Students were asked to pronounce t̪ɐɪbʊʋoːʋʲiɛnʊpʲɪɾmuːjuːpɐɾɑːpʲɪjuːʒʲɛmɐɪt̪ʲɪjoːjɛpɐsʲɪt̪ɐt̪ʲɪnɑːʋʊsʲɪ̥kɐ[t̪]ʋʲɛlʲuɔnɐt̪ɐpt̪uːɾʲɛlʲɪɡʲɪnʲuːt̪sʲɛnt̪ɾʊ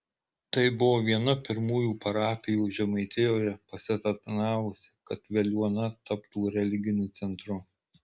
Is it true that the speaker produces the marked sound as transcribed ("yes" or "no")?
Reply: yes